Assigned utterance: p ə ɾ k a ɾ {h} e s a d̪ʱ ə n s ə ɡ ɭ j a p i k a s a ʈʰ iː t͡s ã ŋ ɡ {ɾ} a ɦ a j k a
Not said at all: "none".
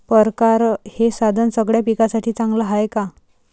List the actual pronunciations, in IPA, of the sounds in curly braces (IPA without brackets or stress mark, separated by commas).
h, l